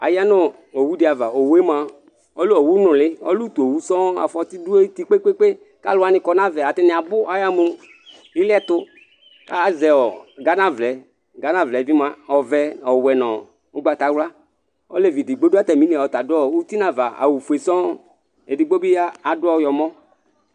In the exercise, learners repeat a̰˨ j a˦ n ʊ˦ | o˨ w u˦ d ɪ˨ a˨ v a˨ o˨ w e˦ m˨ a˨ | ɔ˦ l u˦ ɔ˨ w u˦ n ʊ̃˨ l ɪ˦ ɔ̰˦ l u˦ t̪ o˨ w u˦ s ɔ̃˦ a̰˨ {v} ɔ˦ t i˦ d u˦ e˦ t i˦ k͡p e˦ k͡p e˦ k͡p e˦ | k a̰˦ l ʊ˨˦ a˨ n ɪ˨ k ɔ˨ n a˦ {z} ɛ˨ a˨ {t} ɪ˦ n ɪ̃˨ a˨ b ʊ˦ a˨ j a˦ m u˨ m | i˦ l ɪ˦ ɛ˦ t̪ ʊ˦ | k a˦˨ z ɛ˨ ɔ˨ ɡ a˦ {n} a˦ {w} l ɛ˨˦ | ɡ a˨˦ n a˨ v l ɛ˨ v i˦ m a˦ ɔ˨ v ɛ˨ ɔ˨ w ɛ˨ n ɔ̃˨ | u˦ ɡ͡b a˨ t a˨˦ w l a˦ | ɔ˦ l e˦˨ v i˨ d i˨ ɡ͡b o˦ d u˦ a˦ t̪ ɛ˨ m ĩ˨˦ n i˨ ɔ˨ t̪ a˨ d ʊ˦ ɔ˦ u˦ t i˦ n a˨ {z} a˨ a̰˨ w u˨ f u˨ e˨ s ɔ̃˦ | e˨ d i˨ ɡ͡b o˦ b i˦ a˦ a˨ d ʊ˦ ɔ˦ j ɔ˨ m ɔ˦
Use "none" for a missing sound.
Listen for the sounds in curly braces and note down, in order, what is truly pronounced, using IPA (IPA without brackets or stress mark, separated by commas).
f, v, t, n, v, v